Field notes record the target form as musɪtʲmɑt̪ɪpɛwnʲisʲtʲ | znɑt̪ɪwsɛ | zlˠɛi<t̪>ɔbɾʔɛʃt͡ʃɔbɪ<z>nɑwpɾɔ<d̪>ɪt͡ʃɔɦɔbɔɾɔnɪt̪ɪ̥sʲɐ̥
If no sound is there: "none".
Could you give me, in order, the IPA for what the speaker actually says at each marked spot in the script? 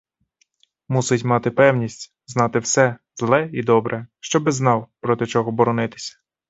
d̪, z, t̪

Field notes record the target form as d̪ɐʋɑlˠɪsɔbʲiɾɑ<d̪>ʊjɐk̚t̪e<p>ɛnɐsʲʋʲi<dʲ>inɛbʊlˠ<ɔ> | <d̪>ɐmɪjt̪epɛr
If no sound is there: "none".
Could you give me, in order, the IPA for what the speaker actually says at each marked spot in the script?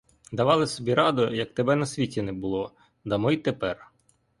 d̪, b, tʲ, ɔ, d̪

